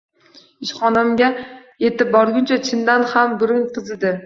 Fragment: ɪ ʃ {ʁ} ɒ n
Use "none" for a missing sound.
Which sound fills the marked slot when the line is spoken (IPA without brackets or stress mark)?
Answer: χ